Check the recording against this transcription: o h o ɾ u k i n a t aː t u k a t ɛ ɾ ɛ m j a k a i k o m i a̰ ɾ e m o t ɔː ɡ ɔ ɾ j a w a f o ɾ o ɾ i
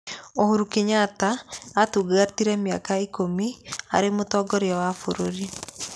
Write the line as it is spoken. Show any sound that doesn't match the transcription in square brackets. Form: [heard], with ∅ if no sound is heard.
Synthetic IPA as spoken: o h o ɾ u k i [ɲ] a t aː t u [ɡ] a t [i] ɾ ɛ m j a k a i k o m i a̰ ɾ e m o t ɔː ɡ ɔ ɾ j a w a f o ɾ o ɾ i